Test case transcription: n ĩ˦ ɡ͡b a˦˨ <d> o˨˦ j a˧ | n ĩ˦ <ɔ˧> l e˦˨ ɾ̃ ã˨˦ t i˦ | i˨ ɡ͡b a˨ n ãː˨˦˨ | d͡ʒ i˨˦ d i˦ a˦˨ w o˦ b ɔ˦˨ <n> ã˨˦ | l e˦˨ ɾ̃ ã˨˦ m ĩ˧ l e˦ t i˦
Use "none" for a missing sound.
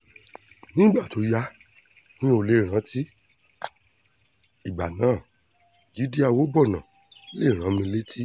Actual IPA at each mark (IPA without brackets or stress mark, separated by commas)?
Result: t, o˧, n